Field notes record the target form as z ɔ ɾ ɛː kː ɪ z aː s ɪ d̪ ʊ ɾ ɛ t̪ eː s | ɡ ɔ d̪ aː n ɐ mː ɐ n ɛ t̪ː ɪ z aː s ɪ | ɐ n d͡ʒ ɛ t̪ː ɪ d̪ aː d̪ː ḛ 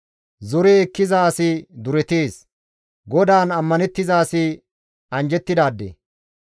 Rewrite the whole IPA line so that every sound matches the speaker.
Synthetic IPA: z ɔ ɾ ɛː kː ɪ z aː s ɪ d̪ ʊ ɾ ɛ t̪ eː s | ɡ ɔ d̪ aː n ɐ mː ɐ n ɛ t̪ː ɪ z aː s ɪ | ɐ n d͡ʒ ɛ t̪ː ɪ d̪ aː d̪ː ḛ